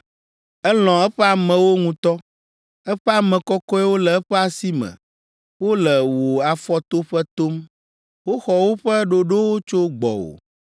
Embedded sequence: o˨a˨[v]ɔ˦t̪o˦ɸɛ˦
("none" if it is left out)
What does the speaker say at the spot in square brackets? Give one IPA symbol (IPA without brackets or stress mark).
f